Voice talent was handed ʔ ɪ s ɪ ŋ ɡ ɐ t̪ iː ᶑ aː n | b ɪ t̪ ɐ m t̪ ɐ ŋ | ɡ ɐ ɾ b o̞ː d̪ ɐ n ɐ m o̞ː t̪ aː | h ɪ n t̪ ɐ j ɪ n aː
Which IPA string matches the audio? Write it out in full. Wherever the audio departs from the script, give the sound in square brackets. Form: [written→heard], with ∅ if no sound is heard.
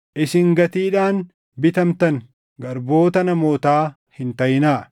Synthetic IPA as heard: ʔ ɪ s ɪ ŋ ɡ ɐ t̪ iː ᶑ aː n | b ɪ t̪ ɐ m t̪ ɐ ŋ | ɡ ɐ ɾ b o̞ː [d̪→t̪] ɐ n ɐ m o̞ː t̪ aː | h ɪ n t̪ ɐ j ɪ n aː